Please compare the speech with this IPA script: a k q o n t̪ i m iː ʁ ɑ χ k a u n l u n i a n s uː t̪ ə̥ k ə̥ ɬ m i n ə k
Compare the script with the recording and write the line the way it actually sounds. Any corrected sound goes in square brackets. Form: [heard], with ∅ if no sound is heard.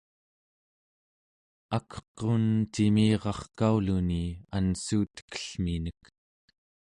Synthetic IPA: a k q o n t̪ i m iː ʁ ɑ χ k a u [∅] l u n i a n s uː t̪ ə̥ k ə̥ ɬ m i n ə k